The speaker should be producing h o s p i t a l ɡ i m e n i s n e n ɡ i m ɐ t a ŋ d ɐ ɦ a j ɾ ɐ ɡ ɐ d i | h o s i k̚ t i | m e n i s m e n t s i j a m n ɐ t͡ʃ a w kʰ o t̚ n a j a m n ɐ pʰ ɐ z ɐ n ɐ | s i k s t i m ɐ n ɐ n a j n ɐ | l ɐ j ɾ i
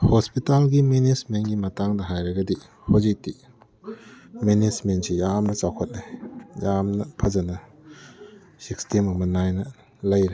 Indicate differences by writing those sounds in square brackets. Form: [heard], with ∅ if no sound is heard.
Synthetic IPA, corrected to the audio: h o s p i t a l ɡ i m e n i s [m] e n ɡ i m ɐ t a ŋ d ɐ ɦ a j ɾ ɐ ɡ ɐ d i | h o [z] i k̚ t i | m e n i s m e n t s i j a m n ɐ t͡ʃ a w kʰ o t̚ n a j a m n ɐ pʰ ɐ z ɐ n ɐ | s i k s t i m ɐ [m] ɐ n a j n ɐ | l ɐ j ɾ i

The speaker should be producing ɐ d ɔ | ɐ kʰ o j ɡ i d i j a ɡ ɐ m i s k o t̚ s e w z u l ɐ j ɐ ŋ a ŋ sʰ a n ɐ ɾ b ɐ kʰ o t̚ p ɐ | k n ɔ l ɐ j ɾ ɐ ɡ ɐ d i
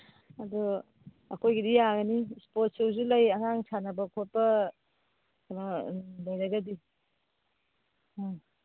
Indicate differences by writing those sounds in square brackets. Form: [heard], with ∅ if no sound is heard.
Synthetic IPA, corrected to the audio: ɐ d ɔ | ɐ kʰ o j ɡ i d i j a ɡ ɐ [n] i s [p] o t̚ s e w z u l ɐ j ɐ ŋ a ŋ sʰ a n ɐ [∅] b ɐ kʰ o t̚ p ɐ | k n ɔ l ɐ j ɾ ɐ ɡ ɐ d i

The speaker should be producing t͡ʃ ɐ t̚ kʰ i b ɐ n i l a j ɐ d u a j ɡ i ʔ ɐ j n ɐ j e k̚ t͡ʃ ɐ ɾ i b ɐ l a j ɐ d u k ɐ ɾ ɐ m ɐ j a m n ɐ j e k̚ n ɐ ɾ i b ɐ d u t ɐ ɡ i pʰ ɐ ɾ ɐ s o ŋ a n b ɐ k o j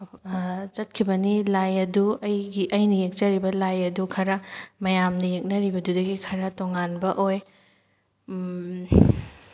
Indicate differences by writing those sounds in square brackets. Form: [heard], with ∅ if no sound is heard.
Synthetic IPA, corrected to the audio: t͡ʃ ɐ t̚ kʰ i b ɐ n i l a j ɐ d u [ɐ] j ɡ i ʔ ɐ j n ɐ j e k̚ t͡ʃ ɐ ɾ i b ɐ l a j ɐ d u [kʰ] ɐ ɾ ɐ m ɐ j a m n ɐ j e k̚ n ɐ ɾ i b ɐ d u [d] ɐ ɡ i [kʰ] ɐ ɾ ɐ [t] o ŋ a n b ɐ [ʔ] o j

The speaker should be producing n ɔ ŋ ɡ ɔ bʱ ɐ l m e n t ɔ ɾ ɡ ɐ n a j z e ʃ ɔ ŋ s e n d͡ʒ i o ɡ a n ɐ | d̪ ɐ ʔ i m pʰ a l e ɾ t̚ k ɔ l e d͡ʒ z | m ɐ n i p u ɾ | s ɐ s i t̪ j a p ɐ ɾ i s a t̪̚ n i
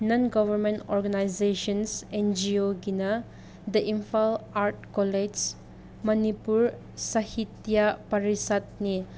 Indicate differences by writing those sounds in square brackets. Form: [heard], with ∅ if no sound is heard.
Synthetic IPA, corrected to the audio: n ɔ [n] ɡ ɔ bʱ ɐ [ɾ] m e n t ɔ ɾ ɡ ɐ n a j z e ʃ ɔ [n] s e n d͡ʒ i o ɡ [i] n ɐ | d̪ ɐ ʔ i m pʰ a l [a] ɾ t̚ k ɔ l e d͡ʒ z | m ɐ n i p u ɾ | s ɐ [h] i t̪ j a p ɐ ɾ i s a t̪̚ n i

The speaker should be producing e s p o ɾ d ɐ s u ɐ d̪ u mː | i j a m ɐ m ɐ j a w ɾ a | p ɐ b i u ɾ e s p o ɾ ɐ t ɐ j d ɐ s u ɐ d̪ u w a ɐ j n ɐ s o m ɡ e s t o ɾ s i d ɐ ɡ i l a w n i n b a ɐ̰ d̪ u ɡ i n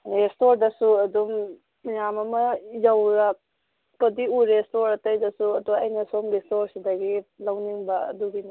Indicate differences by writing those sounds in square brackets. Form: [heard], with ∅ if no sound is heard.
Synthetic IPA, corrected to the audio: e s [t] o ɾ d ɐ s u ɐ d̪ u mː | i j a m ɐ m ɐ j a w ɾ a | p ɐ [d] i u ɾ e s [t] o ɾ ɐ t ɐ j d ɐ s u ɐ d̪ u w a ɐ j n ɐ s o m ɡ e s t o ɾ s i d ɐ ɡ i l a w n i [ŋ] b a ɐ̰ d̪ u ɡ i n

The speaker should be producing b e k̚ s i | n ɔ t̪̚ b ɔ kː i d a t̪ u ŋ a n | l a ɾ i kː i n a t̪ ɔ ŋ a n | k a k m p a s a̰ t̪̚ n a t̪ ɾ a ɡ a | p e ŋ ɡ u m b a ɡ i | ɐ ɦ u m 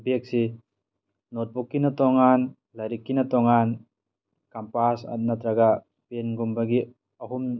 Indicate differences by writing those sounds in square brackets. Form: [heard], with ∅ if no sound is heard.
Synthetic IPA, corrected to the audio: b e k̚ s i | n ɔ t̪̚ b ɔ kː i [n] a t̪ [ɔ] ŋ a n | l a ɾ i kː i n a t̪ ɔ ŋ a n | k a [∅] m p a s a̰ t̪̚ n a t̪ ɾ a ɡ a | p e [n] ɡ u m b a ɡ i | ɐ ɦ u m

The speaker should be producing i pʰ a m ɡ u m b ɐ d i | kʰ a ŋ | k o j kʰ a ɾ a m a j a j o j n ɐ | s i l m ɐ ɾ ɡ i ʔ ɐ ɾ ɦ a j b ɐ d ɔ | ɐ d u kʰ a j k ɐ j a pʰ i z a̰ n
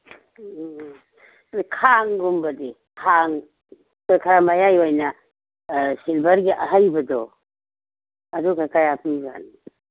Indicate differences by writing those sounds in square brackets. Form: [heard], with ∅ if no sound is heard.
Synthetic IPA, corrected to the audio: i [kʰ] a [ŋ] ɡ u m b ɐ d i | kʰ a ŋ | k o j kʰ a ɾ a m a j a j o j n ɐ | s i l [b] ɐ ɾ ɡ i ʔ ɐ [∅] ɦ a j b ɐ d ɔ | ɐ d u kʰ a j k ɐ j a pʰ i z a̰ n

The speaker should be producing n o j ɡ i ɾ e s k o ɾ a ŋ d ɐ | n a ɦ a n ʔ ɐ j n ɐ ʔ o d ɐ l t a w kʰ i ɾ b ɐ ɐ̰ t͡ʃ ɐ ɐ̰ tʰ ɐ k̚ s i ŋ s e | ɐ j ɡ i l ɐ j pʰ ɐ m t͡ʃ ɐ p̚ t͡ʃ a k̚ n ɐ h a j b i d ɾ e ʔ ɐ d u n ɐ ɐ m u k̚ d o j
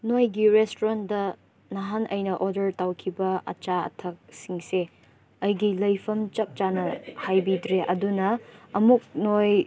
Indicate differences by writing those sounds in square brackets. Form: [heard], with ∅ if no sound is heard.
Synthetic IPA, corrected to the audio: n o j ɡ i ɾ e s [t] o ɾ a [n] d ɐ | n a ɦ a n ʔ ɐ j n ɐ ʔ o d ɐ [ɾ] t a w kʰ i [∅] b ɐ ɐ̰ t͡ʃ [a] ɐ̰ tʰ ɐ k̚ s i ŋ s e | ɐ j ɡ i l ɐ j pʰ ɐ m t͡ʃ ɐ p̚ t͡ʃ a [∅] n ɐ h a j b i d ɾ e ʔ ɐ d u n ɐ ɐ m u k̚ [n] o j

